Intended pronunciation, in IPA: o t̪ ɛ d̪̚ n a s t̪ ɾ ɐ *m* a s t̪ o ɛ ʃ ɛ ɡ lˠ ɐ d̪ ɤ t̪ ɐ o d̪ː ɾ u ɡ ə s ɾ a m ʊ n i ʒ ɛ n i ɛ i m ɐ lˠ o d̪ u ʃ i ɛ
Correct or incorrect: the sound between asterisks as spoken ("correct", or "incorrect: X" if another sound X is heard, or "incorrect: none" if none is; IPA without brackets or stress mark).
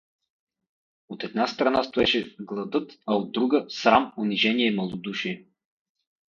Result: incorrect: n